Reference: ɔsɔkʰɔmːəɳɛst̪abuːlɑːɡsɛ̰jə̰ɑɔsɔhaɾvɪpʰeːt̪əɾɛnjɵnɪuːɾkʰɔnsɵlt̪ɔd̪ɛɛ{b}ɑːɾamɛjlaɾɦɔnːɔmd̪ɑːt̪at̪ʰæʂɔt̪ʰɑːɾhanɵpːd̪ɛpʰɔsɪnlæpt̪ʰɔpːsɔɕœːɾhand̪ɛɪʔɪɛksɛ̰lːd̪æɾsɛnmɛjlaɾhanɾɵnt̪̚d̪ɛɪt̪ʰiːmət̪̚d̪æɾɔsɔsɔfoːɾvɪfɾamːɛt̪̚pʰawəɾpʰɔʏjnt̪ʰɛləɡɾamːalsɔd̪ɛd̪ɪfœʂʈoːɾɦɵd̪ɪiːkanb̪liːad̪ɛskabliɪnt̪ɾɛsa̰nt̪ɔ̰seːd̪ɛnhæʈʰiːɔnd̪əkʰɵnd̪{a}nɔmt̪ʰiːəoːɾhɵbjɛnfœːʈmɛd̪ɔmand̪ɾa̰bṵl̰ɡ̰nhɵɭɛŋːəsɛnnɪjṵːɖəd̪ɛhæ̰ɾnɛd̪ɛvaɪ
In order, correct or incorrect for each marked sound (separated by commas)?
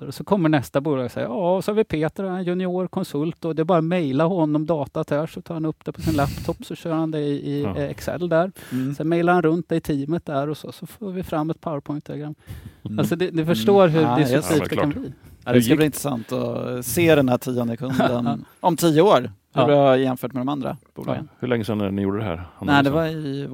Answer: correct, incorrect